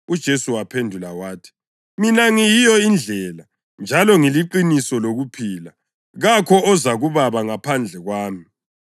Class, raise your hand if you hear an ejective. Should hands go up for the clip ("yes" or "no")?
no